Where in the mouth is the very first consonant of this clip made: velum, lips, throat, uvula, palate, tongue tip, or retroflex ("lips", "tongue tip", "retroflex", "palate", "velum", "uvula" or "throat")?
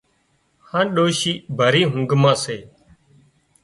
throat